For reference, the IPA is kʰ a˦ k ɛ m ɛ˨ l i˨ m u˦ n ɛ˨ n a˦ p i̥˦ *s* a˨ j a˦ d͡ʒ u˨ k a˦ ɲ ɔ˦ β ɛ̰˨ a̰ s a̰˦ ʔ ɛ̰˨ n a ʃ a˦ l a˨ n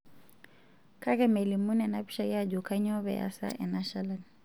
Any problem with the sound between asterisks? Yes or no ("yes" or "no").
yes